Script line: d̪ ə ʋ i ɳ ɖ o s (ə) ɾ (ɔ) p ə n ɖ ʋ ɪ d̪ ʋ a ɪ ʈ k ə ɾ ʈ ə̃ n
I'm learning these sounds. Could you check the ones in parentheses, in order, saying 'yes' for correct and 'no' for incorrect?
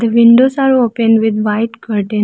no, no

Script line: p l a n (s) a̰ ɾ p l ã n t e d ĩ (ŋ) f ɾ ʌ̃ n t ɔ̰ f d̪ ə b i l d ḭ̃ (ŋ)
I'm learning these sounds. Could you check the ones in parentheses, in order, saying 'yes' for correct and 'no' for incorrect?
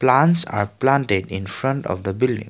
yes, no, yes

